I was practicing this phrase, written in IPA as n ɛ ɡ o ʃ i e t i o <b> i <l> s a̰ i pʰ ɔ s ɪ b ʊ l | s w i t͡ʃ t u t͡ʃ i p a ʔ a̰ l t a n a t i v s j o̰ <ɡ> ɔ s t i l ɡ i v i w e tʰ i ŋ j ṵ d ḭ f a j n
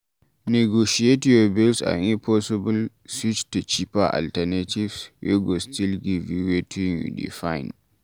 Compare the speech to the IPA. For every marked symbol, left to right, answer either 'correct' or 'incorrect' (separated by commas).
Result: correct, correct, correct